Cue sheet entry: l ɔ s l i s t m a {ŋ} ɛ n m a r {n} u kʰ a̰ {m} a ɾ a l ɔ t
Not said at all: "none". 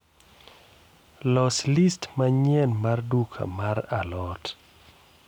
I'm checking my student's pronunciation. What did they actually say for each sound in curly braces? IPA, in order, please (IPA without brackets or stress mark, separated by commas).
ɲ, d, m